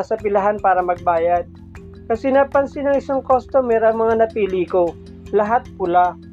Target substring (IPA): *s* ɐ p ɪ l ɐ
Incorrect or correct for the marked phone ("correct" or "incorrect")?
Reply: correct